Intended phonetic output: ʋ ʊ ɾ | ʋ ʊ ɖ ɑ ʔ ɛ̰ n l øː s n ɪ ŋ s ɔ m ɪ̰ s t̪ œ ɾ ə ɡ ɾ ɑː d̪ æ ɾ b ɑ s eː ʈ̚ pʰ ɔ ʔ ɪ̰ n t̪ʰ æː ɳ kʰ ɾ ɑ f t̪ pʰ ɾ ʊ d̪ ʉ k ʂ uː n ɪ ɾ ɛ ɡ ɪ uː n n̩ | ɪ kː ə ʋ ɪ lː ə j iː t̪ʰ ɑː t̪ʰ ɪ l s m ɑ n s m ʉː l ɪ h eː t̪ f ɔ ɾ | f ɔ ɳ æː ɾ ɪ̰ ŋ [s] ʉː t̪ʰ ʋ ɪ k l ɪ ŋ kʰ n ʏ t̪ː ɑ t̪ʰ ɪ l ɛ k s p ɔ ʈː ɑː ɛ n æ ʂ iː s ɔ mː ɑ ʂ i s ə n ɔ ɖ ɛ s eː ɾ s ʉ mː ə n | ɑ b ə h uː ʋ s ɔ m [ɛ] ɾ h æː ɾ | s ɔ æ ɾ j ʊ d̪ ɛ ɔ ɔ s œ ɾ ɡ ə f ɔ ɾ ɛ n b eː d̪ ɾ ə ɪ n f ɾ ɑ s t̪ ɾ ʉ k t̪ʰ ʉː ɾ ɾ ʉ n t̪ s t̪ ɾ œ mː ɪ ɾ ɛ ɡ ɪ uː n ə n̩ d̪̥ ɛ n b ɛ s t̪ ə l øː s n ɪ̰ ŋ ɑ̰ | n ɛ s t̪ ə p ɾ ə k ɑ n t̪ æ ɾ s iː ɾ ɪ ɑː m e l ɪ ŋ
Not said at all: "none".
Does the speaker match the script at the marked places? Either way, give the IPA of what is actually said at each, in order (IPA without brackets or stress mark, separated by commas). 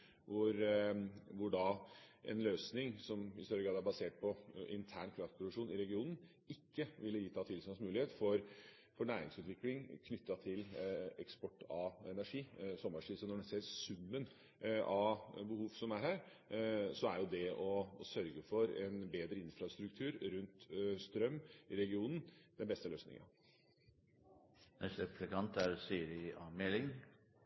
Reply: s, æ